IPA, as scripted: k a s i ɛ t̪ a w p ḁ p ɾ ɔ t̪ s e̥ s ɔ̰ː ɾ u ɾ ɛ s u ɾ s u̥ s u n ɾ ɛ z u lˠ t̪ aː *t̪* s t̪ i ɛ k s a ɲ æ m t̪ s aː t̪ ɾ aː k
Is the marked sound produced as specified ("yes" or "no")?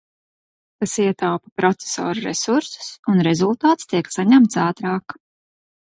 yes